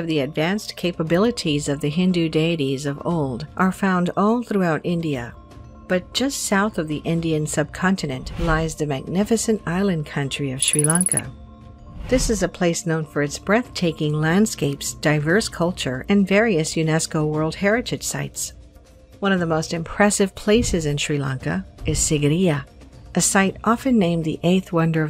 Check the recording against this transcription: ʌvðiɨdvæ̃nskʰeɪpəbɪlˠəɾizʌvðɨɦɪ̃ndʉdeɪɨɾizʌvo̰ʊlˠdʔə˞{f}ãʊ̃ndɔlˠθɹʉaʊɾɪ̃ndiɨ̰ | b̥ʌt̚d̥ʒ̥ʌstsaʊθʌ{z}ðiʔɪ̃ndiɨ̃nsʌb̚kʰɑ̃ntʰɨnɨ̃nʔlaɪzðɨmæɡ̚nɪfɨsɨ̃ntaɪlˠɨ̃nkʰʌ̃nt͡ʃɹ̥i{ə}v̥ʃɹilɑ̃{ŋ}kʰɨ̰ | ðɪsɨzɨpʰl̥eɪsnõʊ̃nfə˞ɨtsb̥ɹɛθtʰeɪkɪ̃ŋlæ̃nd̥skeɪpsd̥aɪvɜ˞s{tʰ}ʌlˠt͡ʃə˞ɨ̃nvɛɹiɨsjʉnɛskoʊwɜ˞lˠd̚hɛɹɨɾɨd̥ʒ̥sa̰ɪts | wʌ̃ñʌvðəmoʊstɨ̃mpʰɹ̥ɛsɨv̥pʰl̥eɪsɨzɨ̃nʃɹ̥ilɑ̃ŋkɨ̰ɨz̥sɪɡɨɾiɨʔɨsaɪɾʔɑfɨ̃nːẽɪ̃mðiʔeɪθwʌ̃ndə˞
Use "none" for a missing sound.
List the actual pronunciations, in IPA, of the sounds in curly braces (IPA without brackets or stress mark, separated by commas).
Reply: f, v, ʌ, ŋ, kʰ